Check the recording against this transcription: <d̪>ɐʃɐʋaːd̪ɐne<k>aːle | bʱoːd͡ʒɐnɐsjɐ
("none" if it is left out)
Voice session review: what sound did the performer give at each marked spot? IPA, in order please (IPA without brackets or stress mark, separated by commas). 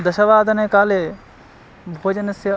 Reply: d̪, k